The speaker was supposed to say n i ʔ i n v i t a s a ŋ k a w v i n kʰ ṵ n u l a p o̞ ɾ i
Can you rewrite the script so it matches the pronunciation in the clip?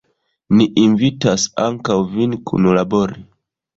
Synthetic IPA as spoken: n i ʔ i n v i t a s a ŋ k a w v i n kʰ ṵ n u l a b o̞ ɾ i